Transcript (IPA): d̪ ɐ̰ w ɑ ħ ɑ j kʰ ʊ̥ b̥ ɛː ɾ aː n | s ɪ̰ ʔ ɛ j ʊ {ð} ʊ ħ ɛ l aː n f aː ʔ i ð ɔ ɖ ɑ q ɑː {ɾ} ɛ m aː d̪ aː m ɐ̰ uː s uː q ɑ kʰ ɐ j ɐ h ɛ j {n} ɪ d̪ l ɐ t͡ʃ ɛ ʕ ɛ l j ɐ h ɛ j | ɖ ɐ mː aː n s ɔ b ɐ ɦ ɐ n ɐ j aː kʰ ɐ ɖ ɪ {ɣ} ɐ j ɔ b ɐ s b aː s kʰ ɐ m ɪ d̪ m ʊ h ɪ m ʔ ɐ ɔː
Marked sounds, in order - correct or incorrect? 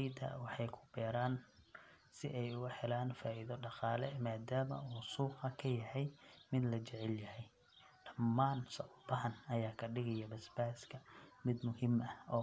incorrect, incorrect, incorrect, correct

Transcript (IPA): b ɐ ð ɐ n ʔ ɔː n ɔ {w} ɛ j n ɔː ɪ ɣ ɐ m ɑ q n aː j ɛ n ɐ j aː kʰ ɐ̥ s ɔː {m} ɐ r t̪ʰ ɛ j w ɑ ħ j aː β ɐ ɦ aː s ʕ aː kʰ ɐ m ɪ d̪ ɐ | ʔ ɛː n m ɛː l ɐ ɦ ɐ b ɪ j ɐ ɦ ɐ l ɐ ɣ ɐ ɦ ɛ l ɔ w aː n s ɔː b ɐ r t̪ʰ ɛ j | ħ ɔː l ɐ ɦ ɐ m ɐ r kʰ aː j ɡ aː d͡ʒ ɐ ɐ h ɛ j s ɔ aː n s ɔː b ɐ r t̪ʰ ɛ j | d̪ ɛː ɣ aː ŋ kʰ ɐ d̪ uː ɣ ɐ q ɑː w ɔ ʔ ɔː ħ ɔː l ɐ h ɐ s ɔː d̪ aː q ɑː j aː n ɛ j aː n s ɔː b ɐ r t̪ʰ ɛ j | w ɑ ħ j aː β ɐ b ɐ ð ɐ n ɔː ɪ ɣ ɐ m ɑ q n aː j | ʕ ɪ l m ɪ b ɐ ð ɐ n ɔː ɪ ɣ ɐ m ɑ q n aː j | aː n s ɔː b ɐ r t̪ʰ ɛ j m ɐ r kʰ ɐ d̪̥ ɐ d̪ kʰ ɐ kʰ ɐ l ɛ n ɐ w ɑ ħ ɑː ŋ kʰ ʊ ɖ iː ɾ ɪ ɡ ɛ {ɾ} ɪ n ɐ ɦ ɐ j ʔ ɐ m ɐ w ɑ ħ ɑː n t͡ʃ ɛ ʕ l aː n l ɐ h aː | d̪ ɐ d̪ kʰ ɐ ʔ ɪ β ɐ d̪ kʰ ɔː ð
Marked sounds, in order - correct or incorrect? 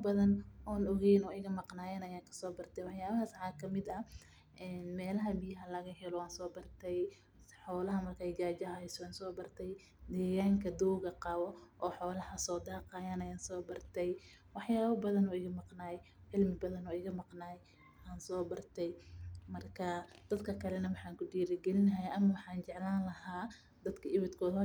incorrect, incorrect, incorrect

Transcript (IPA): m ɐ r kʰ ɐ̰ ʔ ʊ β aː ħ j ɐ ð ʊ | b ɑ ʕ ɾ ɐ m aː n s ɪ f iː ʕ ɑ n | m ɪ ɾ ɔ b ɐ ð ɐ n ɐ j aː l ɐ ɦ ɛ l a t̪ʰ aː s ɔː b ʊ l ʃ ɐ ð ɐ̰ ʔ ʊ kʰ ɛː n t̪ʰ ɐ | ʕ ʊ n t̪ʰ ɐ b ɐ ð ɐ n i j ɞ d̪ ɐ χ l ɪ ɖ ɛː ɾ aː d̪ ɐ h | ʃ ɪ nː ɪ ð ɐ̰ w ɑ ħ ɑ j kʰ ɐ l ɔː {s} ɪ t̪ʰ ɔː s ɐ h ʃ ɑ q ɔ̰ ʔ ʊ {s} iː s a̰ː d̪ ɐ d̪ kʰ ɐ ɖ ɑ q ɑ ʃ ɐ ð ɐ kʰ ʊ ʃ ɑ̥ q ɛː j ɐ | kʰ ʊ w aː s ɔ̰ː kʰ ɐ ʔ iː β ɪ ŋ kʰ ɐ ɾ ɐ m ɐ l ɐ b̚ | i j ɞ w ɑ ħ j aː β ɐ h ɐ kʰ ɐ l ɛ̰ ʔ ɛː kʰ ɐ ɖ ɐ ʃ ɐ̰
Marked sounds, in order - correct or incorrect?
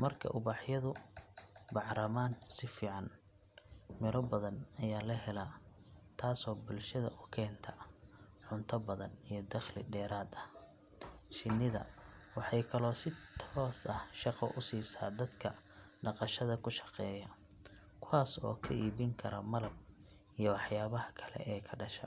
correct, correct

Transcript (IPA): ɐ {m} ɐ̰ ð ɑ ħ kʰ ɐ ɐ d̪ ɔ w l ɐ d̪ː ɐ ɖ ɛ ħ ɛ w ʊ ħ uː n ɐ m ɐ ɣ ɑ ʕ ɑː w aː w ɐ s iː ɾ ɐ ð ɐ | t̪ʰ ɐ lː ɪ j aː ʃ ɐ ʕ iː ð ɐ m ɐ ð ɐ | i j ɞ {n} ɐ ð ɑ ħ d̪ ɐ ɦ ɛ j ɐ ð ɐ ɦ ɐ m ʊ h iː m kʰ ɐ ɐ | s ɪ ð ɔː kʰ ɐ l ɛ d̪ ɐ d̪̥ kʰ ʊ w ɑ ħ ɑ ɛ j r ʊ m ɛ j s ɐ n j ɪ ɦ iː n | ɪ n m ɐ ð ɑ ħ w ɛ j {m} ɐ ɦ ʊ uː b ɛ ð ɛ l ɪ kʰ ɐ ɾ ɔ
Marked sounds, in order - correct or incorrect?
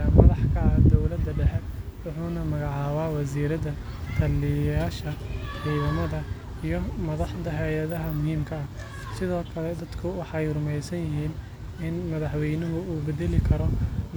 correct, incorrect, incorrect

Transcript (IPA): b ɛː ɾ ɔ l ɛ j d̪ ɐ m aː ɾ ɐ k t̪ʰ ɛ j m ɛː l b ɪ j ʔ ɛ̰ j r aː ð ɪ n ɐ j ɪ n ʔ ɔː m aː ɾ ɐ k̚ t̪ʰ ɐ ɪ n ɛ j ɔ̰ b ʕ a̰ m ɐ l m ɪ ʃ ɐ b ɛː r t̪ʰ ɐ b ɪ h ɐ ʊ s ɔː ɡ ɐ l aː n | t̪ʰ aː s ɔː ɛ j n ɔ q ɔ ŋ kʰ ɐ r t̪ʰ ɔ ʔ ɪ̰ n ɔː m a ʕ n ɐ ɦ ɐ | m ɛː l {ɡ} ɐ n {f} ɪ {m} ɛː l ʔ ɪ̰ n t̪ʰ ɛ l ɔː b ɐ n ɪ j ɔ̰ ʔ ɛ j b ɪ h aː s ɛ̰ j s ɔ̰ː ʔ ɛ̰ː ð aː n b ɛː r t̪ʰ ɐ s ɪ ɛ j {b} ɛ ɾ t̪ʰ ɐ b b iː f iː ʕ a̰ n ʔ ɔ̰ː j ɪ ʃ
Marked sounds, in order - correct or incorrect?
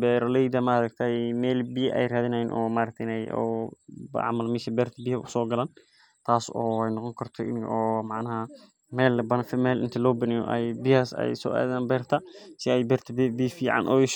incorrect, correct, correct, correct

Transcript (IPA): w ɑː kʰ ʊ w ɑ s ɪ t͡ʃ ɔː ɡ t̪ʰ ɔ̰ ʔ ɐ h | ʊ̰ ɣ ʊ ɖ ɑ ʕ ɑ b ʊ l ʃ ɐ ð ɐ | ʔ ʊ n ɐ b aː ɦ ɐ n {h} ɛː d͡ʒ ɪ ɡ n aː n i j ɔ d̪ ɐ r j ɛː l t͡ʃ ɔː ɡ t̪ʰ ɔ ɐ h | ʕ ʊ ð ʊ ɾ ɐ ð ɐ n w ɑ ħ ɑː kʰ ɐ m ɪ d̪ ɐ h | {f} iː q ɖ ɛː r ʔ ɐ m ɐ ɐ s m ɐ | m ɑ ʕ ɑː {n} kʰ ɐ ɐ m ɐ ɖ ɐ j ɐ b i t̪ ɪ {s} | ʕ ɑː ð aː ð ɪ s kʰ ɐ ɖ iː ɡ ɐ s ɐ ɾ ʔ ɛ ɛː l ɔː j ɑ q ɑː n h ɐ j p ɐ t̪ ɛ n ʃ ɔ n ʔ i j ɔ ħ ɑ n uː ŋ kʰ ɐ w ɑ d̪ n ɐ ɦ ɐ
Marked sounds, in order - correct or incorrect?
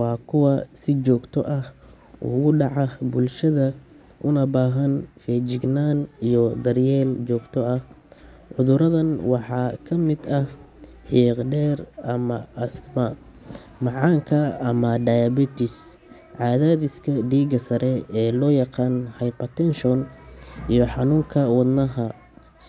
incorrect, incorrect, incorrect, correct

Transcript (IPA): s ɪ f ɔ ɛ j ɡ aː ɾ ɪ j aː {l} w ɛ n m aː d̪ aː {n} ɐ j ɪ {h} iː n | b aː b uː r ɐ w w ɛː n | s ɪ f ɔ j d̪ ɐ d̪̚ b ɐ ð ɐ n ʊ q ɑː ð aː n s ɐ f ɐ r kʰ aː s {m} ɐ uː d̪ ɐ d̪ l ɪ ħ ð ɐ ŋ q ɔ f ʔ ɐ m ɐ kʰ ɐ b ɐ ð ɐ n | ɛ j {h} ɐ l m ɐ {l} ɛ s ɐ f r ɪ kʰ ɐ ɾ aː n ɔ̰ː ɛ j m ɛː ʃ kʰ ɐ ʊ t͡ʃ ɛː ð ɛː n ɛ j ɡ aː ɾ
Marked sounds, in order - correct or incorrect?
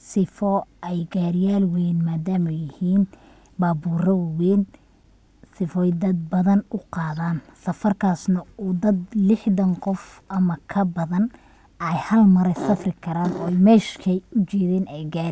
correct, incorrect, correct, incorrect, correct, incorrect

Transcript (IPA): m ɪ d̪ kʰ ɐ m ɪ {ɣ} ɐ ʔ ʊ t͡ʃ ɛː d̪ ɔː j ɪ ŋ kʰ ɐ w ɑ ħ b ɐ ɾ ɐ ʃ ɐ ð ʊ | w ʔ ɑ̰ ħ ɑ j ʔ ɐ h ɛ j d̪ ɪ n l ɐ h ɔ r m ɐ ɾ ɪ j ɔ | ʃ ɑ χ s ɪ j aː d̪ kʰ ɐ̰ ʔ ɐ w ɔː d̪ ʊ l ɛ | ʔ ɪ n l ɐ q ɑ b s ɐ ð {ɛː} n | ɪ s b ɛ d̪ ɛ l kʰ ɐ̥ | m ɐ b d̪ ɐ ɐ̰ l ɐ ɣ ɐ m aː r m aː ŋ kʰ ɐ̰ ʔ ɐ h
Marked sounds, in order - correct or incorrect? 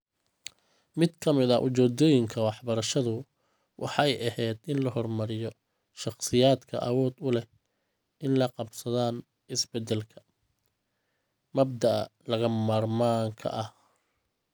incorrect, incorrect

